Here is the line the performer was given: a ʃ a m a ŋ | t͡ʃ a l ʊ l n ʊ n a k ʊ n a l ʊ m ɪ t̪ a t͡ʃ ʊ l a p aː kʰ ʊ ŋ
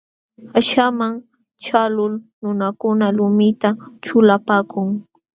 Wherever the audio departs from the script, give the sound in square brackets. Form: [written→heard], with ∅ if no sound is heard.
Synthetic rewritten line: a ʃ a m a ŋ | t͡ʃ a l ʊ l n ʊ n a k ʊ n a l ʊ m ɪ t̪ a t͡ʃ ʊ l a p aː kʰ ʊ ŋ